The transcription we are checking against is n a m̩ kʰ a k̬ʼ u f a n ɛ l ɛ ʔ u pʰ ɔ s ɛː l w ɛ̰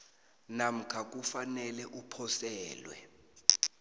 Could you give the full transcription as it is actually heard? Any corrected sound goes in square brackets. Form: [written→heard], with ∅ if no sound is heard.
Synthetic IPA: n a m̩ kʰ a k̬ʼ u f a n ɛ l ɛ ʔ u pʰ ɔ s ɛː l w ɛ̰